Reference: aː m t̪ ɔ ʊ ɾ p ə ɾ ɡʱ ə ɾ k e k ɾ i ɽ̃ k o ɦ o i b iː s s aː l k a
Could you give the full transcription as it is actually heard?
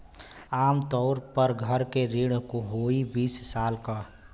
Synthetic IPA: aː m t̪ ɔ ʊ ɾ p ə ɾ ɡʱ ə ɾ k e ɾ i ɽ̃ k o ɦ o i b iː s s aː l k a